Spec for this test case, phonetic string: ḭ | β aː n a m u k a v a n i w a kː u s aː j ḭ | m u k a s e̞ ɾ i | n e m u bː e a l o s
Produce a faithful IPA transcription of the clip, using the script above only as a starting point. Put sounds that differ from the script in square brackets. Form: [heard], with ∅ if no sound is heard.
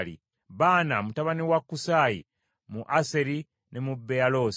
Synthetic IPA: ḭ | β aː n a m u [t] a [β] a n i w a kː u s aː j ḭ | m u [ʔ] a s e̞ ɾ i | n e m u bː e a l o s